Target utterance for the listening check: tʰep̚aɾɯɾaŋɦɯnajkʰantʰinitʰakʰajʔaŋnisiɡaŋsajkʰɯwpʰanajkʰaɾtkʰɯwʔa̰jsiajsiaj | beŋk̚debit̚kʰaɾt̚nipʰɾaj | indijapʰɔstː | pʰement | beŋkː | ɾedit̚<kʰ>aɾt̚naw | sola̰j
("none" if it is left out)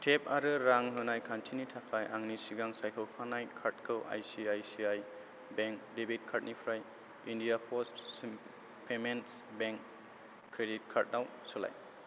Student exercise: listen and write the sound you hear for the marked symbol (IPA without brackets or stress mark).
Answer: kʰ